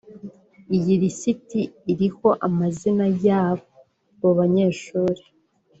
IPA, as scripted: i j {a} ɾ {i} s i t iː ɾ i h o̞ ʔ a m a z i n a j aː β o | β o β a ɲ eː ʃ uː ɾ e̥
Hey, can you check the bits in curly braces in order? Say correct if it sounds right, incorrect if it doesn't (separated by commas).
incorrect, correct